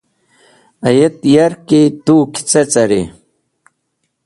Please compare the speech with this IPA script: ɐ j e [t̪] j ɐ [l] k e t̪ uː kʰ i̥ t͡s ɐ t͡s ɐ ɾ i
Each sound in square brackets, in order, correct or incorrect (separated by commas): correct, incorrect